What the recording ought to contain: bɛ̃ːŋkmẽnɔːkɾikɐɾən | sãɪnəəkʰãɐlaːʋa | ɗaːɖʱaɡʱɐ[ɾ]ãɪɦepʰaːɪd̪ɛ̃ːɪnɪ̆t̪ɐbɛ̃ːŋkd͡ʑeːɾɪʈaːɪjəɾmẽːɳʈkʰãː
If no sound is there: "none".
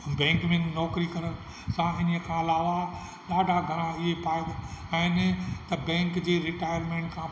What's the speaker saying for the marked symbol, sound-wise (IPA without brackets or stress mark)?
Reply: ɾ